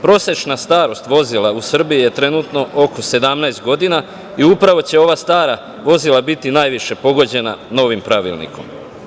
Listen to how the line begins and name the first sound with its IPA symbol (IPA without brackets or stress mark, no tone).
p